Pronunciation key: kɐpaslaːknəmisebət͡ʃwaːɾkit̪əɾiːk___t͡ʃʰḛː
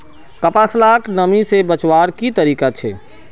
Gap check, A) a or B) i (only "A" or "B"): A